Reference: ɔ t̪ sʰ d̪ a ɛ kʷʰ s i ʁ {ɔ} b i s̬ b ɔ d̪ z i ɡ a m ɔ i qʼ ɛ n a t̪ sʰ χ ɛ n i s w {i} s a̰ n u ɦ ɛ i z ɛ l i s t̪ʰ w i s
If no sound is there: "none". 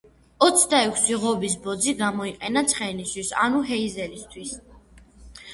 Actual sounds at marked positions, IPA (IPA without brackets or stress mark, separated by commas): ɔ, i